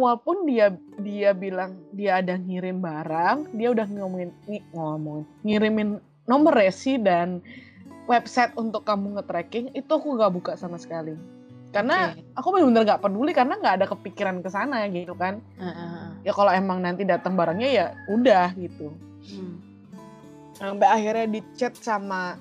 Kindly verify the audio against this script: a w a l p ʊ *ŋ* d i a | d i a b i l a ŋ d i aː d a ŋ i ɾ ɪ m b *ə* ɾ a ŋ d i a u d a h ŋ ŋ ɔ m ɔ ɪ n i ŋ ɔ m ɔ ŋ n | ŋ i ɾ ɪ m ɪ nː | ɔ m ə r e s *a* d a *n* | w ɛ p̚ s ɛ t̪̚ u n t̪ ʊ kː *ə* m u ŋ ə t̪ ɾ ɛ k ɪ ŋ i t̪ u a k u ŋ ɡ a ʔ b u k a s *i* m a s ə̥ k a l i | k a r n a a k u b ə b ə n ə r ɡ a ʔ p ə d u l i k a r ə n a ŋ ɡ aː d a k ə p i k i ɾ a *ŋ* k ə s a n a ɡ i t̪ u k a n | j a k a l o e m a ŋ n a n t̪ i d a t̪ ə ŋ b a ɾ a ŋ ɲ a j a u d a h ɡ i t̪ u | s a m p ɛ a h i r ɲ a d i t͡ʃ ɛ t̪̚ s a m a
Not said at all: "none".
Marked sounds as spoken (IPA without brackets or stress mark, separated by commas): n, a, i, n, a, a, n